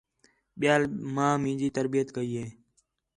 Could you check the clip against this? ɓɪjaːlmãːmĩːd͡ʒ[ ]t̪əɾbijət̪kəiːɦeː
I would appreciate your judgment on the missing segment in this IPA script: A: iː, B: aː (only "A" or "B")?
A